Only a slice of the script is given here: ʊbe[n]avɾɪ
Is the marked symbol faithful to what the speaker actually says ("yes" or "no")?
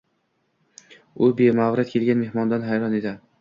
no